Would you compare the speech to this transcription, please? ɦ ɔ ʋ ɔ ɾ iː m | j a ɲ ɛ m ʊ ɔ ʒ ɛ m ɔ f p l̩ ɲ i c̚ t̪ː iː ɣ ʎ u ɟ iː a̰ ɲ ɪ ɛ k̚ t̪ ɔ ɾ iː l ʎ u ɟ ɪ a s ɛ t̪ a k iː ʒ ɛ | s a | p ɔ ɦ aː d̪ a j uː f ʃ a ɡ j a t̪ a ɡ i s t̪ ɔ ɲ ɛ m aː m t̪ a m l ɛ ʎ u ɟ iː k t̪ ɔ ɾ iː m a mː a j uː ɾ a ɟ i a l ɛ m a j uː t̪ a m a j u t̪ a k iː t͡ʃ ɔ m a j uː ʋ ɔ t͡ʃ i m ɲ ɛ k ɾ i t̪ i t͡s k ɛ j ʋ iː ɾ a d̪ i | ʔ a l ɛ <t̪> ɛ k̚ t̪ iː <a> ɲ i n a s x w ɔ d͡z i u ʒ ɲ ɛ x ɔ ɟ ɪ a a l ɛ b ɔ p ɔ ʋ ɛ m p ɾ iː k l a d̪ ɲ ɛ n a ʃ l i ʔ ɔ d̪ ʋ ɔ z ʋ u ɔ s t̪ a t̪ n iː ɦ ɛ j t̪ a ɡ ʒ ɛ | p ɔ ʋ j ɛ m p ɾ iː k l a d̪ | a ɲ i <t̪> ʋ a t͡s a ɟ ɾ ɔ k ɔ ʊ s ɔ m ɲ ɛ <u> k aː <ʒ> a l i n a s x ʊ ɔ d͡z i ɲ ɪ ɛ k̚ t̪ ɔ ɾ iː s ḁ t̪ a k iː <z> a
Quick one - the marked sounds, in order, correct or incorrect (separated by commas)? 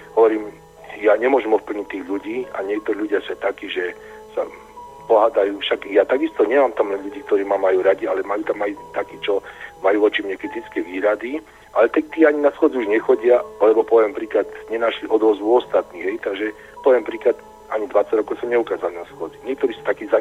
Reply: correct, correct, incorrect, correct, incorrect, correct